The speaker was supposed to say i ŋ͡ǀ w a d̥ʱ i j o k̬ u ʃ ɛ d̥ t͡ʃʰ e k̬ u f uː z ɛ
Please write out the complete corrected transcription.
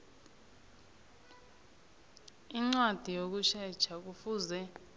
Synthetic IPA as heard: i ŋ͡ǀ w a d̥ʱ i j o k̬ u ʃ ɛ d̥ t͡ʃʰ a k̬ u f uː z ɛ